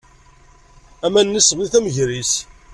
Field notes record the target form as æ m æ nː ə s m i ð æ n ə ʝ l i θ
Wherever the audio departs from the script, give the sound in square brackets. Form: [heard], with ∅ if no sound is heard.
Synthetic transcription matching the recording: æ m æ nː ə s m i [θ] æ [m] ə ʝ [ɾ] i [s]